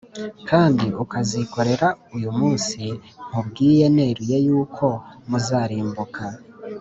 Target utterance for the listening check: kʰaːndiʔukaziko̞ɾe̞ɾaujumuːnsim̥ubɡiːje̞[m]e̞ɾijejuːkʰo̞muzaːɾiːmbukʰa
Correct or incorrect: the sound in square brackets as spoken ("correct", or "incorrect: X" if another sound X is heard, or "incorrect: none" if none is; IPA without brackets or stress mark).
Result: incorrect: n